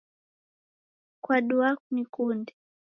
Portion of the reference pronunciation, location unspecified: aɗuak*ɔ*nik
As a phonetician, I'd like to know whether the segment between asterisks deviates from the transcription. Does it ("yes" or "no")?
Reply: yes